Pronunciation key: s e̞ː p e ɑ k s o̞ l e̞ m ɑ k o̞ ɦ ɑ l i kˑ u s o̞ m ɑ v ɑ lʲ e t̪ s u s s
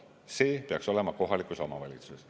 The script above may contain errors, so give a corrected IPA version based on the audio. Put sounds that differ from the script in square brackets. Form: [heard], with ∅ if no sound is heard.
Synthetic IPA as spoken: s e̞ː p e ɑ k s o̞ l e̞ m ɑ k o̞ ɦ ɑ l i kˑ u s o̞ m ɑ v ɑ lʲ [i] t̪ s u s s